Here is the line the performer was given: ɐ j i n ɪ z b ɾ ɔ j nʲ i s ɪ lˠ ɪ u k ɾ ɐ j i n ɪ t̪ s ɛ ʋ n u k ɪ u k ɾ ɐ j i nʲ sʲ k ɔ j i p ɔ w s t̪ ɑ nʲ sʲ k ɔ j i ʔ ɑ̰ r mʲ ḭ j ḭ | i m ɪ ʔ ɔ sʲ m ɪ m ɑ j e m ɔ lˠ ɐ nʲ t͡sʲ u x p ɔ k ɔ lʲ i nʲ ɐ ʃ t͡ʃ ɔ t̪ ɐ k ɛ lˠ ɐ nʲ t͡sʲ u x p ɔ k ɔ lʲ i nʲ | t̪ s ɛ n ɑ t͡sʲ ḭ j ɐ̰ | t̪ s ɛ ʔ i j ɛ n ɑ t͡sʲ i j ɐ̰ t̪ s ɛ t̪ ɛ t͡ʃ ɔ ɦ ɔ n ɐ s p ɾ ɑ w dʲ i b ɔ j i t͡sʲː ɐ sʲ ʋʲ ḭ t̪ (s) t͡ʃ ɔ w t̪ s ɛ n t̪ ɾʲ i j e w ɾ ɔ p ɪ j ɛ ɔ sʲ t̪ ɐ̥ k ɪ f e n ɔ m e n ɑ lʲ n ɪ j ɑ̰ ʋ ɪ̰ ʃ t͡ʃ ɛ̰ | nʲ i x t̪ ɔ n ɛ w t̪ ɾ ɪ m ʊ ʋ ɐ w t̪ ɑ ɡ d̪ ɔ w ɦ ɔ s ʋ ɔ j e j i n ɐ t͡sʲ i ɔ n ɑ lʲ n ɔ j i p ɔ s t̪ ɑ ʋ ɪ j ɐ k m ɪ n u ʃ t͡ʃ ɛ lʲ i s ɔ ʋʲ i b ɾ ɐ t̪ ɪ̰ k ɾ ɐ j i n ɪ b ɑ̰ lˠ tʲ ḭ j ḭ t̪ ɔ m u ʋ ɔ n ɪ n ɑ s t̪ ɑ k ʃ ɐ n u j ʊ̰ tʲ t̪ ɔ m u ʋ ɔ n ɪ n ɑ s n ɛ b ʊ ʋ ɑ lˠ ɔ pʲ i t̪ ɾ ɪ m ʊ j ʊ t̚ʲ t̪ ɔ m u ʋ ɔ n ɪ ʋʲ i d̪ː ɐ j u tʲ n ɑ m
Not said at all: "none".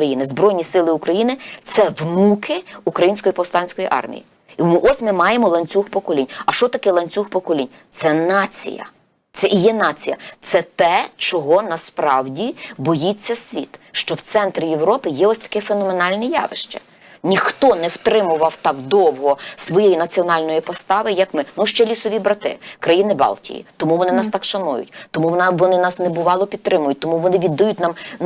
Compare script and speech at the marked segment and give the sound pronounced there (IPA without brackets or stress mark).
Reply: ʃ